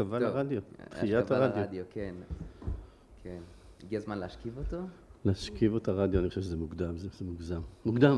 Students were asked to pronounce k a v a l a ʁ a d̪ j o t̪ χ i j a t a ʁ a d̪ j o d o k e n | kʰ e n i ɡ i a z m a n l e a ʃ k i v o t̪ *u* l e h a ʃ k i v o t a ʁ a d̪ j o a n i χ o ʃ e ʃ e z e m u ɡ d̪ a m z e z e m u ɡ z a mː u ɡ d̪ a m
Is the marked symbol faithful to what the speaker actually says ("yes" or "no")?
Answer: no